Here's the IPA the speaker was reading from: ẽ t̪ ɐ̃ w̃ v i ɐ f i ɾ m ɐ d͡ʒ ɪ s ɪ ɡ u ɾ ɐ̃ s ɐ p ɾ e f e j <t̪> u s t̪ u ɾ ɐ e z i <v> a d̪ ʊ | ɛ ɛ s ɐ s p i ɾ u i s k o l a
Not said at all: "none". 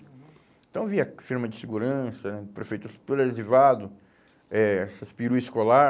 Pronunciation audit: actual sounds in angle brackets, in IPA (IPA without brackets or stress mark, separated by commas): t̪, v